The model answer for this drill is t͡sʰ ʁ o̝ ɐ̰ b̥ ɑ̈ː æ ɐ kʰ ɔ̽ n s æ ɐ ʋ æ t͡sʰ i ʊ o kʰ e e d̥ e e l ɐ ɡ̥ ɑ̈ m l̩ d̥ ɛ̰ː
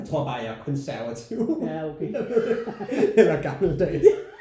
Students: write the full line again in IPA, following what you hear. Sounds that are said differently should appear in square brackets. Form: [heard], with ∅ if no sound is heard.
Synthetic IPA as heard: t͡sʰ ʁ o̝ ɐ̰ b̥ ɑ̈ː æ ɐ kʰ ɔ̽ n s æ ɐ ʋ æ t͡sʰ i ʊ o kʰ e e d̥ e e l ɐ ɡ̥ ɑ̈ m l̩ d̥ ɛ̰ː

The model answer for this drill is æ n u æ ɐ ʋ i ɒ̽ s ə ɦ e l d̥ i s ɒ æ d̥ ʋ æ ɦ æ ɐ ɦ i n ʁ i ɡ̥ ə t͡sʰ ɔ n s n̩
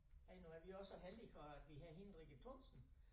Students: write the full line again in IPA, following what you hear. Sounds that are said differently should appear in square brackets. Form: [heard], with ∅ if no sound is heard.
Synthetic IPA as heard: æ n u æ ɐ ʋ i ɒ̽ s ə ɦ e l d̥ i [f] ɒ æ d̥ ʋ [i] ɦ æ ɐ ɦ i n ʁ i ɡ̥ ə t͡sʰ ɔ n s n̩

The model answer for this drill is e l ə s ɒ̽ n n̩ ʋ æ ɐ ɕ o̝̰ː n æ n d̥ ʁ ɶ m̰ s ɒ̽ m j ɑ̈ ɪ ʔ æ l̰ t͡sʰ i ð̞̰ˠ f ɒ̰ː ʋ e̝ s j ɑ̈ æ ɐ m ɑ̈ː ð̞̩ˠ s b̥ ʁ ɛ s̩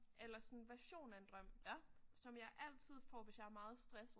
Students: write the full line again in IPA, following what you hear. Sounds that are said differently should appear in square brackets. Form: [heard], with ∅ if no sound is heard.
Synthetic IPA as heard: e l [ɐ] s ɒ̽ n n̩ ʋ æ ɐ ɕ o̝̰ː n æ n d̥ ʁ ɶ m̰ s ɒ̽ m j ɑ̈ ɪ ʔ æ l̰ t͡sʰ i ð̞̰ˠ f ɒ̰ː ʋ e̝ s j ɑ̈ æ ɐ m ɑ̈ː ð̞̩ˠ s [d̥] ʁ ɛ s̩

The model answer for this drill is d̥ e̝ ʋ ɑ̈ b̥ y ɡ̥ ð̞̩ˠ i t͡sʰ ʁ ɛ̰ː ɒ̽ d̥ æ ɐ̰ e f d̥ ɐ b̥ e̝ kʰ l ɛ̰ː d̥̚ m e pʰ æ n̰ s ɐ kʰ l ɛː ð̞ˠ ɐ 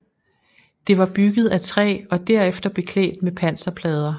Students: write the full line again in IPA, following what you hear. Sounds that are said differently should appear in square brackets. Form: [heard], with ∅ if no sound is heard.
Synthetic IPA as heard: d̥ e̝ ʋ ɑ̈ b̥ y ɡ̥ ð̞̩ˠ [æ] t͡sʰ ʁ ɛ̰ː ɒ̽ d̥ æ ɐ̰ e f d̥ ɐ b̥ e̝ kʰ l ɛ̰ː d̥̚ m e pʰ æ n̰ s ɐ [pʰ] l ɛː ð̞ˠ ɐ

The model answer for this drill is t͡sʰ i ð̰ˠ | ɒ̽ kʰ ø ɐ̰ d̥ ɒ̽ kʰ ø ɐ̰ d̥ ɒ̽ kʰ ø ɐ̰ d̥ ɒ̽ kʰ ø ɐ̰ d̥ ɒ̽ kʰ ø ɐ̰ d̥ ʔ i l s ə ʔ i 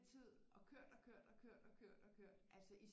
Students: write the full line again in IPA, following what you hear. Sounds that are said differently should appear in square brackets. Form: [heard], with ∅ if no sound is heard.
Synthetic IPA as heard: t͡sʰ i ð̰ˠ | ɒ̽ kʰ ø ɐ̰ d̥ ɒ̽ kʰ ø ɐ̰ d̥ ɒ̽ kʰ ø ɐ̰ d̥ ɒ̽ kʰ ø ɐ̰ d̥ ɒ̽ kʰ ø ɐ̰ d̥ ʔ [æ] l s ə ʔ i

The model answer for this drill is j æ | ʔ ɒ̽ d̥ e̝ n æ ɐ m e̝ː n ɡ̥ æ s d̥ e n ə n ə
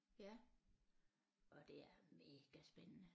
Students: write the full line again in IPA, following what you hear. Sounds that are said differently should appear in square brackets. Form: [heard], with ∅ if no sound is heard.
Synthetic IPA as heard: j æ | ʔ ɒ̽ d̥ e̝ [∅] æ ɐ m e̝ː [∅] ɡ̥ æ s [b̥] e n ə n ə

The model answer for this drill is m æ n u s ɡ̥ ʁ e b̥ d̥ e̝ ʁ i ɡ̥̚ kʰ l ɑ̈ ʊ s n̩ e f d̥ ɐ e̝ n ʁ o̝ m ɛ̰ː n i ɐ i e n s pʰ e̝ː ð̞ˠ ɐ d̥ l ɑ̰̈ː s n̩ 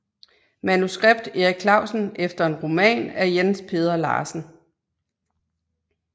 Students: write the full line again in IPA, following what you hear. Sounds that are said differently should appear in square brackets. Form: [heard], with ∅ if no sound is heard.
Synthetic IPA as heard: m æ n u s ɡ̥ ʁ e b̥ d̥ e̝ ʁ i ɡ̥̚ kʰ l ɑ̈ ʊ s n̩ e f d̥ ɐ e̝ n ʁ o̝ m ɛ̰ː n [æ] ɐ [j] e n s pʰ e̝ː ð̞ˠ ɐ [∅] l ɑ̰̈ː s n̩

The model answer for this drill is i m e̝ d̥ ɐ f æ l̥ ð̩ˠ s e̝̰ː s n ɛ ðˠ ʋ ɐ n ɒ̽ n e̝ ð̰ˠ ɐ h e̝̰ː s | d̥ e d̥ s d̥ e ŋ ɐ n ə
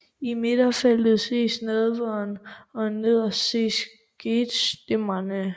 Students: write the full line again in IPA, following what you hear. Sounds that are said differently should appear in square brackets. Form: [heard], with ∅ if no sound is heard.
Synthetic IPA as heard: i m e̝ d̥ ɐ f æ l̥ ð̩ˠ s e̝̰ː s n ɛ ðˠ ʋ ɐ n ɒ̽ n e̝ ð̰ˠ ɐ [s] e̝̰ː s | [ɡ̥] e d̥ s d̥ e [m] ɐ n ə

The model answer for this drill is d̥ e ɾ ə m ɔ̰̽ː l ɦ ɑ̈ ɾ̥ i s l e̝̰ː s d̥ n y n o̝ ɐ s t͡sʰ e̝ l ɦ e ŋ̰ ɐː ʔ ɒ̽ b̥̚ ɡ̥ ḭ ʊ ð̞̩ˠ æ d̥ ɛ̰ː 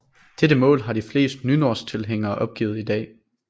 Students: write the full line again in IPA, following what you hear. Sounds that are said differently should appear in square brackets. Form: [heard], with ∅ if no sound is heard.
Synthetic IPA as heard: d̥ e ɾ ə m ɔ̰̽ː l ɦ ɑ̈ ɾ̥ i [f] l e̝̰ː s d̥ n y n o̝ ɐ s t͡sʰ e̝ l ɦ e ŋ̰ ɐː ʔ ɒ̽ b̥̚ ɡ̥ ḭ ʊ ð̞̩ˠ [i] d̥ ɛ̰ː

